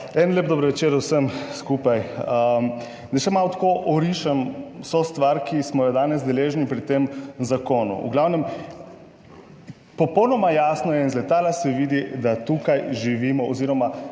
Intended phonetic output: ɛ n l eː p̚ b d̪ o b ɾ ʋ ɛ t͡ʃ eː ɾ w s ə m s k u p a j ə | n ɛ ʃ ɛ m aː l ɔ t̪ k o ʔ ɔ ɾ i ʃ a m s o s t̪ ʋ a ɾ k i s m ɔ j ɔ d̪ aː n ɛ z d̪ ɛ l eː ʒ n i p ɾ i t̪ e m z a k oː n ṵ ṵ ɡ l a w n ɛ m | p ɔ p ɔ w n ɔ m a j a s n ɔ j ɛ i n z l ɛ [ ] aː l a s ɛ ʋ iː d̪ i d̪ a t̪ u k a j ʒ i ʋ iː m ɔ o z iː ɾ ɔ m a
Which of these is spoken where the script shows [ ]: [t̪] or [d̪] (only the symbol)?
t̪